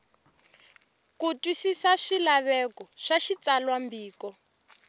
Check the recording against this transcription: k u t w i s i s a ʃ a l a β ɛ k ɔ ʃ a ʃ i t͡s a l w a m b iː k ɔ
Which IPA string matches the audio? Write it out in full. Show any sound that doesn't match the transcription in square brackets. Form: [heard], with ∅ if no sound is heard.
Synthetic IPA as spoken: k u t w i s i s a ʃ [i] l a β ɛ k ɔ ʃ a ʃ i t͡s a l w a m b iː k ɔ